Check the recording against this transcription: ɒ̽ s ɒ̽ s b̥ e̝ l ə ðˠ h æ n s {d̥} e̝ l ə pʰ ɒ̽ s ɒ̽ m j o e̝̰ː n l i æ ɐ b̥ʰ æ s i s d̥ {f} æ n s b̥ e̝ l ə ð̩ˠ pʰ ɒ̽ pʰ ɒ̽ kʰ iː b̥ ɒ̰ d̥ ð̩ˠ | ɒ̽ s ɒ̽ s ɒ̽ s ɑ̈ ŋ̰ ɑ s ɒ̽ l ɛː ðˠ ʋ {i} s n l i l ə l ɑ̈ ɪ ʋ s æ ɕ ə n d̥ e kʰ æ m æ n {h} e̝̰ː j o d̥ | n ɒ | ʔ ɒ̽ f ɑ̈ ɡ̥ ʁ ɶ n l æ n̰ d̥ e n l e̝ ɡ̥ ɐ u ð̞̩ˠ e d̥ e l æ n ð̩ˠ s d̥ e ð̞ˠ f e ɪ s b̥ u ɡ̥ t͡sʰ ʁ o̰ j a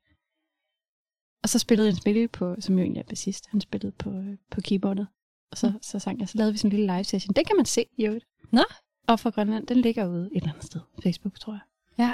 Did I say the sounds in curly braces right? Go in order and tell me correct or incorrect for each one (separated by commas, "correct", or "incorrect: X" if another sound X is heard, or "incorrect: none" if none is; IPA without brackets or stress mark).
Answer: incorrect: b̥, incorrect: h, correct, incorrect: s